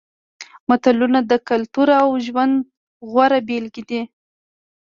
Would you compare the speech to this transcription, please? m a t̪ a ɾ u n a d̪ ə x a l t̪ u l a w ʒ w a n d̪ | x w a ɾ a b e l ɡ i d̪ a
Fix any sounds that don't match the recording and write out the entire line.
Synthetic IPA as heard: m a t̪ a l u n a d̪ ə k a l t̪ u ɾ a w ʒ w a n d̪ | ɣ w a ɾ a b e l ɡ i d̪ i